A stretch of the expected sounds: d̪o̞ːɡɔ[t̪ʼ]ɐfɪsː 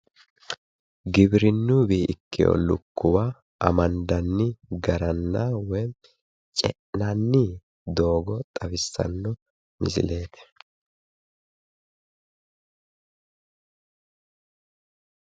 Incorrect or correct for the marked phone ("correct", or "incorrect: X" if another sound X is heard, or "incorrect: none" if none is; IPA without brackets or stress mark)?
correct